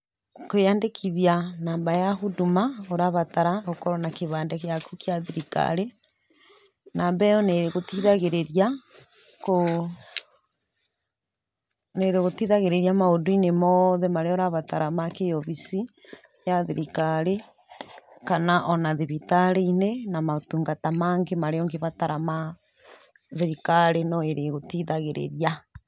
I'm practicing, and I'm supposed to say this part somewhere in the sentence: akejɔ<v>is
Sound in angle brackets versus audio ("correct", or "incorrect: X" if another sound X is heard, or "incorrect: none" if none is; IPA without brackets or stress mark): incorrect: β